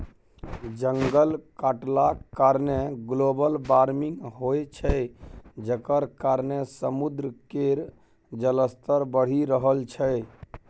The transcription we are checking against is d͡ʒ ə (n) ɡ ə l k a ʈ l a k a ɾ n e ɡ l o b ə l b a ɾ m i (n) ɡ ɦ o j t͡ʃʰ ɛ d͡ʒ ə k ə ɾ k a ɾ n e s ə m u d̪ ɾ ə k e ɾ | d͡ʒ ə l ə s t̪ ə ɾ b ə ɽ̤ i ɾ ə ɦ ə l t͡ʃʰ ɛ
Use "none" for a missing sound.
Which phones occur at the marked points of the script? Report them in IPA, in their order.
ŋ, ŋ

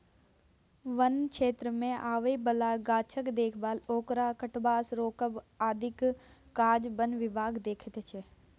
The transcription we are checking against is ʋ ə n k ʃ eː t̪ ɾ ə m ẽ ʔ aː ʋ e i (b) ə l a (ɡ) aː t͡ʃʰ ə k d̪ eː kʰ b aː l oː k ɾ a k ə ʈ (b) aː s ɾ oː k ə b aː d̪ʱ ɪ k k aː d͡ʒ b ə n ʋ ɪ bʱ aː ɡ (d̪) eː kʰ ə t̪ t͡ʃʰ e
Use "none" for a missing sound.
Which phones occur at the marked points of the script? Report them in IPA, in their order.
b, ɡ, b, d̪

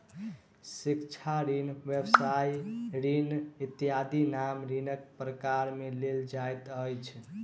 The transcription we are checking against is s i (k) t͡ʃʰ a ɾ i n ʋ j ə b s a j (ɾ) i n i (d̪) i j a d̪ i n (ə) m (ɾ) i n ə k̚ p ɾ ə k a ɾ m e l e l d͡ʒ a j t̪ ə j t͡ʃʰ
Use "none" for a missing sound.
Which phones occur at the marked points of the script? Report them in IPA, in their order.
k, ɾ, t̪, a, ɾ

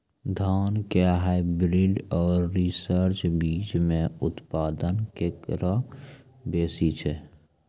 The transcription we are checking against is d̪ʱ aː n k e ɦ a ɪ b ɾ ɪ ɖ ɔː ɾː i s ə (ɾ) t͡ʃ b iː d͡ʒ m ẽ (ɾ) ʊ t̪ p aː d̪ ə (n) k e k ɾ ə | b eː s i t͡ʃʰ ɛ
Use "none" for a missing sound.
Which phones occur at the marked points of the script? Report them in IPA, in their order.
ɾ, none, n

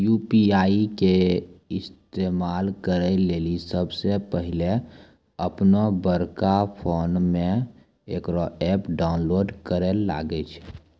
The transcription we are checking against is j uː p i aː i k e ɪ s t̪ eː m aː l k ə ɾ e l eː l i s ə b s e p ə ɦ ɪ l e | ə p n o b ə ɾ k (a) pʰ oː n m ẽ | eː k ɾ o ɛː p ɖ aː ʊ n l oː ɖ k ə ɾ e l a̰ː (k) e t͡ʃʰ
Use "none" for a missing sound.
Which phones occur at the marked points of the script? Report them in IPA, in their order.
a, ɡ

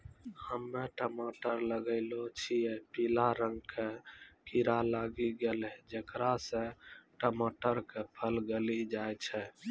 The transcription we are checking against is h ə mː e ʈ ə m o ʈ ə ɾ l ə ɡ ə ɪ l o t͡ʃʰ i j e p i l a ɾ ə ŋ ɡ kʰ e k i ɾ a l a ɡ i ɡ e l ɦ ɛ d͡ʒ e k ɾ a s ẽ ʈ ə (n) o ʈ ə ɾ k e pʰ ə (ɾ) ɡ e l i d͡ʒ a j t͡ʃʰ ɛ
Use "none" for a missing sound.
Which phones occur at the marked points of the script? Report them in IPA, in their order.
m, l

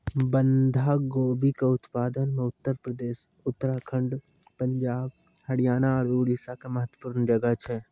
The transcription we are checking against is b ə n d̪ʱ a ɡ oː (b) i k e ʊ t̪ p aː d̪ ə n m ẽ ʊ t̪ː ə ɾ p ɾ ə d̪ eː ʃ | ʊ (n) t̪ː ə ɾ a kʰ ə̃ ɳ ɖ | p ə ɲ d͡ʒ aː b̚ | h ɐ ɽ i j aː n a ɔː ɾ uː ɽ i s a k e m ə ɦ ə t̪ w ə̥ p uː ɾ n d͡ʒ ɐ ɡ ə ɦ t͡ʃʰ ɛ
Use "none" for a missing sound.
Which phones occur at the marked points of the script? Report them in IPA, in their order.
b, none

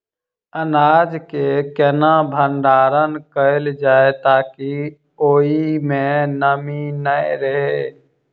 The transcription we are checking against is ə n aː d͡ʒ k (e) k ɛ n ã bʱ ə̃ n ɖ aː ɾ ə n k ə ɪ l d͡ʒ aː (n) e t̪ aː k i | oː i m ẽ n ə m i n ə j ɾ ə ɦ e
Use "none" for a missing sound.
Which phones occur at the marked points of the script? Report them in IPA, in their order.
e, none

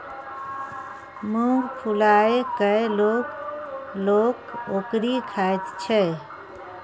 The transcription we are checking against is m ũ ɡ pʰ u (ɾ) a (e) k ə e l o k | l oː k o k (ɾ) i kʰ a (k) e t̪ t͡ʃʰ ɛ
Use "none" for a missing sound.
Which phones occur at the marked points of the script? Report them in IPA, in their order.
l, e, ɾ, none

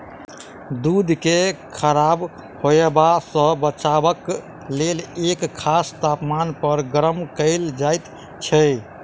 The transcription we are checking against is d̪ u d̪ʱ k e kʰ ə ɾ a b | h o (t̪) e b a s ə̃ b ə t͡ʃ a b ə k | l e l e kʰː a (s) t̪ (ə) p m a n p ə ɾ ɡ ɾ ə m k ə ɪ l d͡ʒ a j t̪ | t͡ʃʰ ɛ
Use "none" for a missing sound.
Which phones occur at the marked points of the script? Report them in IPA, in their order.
none, s, a

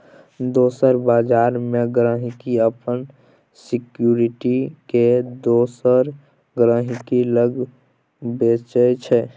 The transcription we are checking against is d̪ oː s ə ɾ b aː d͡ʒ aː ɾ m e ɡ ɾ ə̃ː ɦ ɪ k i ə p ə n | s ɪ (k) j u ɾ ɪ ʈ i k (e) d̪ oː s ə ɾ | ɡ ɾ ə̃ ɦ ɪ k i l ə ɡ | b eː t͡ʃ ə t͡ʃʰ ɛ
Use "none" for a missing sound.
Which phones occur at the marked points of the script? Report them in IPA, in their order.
k, e

